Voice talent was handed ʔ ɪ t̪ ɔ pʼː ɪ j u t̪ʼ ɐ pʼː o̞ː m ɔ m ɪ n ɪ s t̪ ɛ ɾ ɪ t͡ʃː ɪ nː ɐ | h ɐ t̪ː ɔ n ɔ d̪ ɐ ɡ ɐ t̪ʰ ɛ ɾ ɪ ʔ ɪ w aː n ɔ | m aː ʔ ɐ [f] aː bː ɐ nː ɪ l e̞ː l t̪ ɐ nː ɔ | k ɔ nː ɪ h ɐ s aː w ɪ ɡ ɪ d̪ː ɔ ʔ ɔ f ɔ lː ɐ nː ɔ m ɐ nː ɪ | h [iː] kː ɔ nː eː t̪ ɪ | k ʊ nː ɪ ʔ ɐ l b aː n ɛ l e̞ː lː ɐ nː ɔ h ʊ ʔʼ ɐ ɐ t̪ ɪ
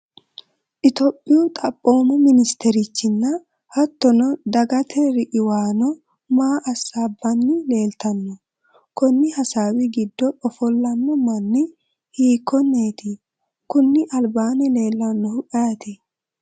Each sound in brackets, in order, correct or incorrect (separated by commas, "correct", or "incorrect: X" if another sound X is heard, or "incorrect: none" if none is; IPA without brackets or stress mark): incorrect: s, correct